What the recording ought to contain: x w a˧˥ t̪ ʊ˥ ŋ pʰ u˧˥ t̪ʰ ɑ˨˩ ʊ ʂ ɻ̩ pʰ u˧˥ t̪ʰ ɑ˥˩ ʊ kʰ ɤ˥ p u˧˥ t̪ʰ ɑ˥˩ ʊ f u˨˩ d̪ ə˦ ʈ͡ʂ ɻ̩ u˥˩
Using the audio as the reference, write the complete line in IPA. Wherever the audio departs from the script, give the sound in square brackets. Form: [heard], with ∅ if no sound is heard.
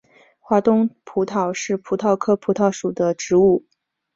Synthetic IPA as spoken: x w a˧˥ t̪ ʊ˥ ŋ pʰ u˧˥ t̪ʰ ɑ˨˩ ʊ ʂ ɻ̩ pʰ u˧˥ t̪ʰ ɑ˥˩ ʊ kʰ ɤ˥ [pʰ] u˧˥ t̪ʰ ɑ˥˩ ʊ [ʂ] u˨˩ d̪ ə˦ ʈ͡ʂ ɻ̩ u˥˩